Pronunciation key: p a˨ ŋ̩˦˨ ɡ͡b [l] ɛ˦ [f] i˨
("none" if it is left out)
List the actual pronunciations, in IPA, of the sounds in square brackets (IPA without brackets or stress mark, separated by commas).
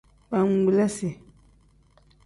l, s